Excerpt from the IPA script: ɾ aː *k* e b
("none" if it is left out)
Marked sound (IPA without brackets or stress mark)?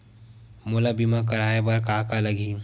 none